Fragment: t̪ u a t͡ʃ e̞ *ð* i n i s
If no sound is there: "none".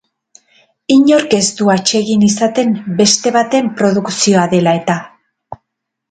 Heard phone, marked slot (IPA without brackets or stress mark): ɣ